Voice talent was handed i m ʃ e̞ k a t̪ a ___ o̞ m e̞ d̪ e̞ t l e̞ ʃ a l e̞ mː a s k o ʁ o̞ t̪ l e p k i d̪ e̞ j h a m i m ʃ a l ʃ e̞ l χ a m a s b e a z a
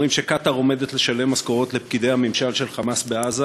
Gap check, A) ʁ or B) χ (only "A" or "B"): A